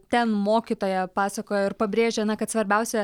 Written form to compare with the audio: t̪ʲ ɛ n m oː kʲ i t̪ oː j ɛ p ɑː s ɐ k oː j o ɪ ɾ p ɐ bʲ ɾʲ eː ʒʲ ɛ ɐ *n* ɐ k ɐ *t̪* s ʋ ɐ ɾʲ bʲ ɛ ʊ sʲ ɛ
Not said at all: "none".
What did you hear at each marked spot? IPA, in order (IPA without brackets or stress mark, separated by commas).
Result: n, t̪